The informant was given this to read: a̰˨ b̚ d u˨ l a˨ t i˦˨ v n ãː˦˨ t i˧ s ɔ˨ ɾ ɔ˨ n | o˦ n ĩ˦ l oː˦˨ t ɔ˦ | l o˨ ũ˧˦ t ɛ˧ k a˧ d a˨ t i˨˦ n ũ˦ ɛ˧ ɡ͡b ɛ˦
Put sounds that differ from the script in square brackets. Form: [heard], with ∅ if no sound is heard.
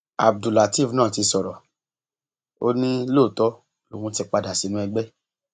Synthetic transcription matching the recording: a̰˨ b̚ d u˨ l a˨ t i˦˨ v n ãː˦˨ t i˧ s ɔ˨ ɾ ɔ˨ [∅] | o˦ n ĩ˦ l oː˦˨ t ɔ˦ | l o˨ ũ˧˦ t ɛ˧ [k͡p] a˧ d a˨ [s] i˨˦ n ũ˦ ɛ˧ ɡ͡b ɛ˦